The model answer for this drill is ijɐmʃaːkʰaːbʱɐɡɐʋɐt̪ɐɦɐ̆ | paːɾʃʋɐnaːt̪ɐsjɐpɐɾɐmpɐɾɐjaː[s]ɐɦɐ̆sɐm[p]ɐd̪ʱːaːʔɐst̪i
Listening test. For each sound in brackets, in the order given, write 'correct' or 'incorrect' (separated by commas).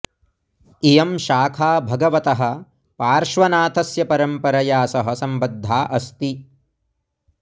correct, incorrect